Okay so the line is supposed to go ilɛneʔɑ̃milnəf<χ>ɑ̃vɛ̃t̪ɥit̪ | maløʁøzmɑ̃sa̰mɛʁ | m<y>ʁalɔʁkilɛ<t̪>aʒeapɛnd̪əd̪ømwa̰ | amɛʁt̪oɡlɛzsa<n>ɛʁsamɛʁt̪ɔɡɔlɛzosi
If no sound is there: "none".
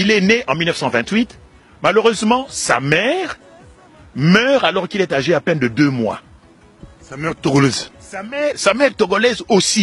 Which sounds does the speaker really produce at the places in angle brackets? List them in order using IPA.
s, œ, t̪, m

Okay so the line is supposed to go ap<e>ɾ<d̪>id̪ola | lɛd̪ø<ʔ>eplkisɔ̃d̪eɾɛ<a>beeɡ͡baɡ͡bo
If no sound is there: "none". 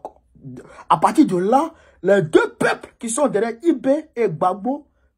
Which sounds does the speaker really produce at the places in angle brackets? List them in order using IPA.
a, t̪, p, i

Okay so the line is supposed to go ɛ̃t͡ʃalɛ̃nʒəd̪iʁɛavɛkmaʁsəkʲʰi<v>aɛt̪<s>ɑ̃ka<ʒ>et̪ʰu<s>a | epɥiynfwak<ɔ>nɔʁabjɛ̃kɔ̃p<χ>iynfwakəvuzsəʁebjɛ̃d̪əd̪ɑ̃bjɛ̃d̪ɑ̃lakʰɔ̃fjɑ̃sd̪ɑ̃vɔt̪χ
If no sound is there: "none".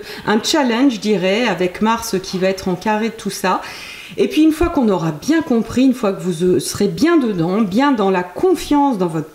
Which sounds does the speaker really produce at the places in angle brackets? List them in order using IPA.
v, χ, ʁ, s, ɔ̃, χ

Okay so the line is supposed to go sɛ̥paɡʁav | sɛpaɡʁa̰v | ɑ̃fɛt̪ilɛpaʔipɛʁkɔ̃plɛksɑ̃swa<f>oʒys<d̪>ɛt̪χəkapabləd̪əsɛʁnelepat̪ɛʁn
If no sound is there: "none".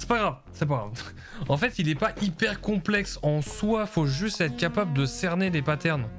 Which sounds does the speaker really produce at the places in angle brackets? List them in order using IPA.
f, t̪

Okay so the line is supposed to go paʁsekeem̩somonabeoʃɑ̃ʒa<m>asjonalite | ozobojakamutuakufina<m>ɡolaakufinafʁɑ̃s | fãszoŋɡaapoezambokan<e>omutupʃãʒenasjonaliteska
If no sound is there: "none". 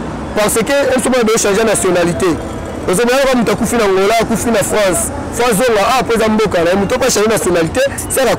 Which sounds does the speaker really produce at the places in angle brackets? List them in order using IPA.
n, ŋ, a

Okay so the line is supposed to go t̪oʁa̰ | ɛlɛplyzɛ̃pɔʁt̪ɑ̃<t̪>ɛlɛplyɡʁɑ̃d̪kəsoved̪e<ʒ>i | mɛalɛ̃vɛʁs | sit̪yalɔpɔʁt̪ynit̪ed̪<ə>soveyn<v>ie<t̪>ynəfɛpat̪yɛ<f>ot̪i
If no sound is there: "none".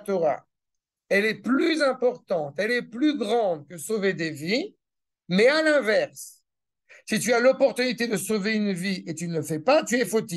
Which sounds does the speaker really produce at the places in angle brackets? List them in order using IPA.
t̪, v, ə, v, t̪, f

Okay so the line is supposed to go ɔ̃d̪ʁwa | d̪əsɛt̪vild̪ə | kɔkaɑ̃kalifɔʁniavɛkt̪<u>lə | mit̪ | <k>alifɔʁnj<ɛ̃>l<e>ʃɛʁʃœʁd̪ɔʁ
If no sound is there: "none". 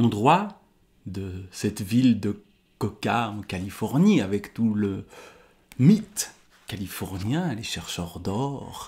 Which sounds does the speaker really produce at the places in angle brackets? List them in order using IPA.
u, k, ɛ̃, e

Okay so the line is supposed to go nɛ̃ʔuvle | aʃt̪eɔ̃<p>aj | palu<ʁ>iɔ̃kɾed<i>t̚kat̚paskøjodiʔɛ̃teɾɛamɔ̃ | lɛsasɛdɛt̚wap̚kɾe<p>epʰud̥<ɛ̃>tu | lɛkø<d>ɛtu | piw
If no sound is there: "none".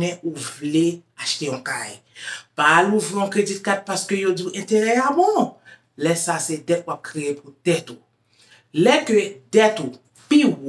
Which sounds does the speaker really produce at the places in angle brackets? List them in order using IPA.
k, v, i, none, ɛ, d

